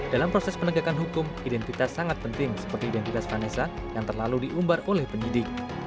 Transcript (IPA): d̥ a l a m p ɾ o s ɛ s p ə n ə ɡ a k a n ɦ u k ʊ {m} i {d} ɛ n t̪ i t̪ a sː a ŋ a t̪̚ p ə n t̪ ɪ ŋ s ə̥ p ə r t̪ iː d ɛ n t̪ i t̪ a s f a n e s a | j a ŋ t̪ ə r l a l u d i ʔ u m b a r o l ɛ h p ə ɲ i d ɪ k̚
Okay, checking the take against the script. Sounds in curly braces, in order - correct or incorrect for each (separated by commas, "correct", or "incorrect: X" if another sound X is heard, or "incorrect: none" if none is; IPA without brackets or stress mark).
correct, correct